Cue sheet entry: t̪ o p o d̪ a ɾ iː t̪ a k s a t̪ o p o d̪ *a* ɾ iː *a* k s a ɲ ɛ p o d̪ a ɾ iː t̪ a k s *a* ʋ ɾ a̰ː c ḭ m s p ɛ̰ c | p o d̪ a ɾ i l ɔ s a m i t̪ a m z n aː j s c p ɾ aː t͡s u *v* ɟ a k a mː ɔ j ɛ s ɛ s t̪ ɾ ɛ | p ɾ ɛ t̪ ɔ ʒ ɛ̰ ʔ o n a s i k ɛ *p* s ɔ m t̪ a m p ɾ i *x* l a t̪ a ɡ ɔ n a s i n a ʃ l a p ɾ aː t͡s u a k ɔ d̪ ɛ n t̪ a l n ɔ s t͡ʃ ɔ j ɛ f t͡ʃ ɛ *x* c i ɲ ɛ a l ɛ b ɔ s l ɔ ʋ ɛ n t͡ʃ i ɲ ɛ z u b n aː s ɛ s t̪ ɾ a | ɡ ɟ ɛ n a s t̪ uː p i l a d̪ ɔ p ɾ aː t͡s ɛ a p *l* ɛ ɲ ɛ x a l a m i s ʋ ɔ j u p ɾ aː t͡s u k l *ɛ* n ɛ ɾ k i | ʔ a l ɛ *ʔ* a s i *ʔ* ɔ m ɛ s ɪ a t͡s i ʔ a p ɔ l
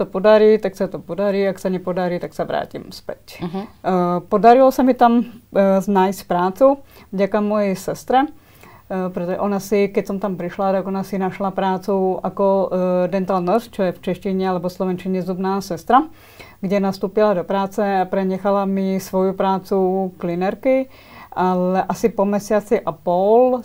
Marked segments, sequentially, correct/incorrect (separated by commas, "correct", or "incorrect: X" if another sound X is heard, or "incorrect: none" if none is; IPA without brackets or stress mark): correct, correct, correct, correct, incorrect: c, incorrect: ʃ, incorrect: ʃ, incorrect: ɾ, incorrect: i, correct, incorrect: p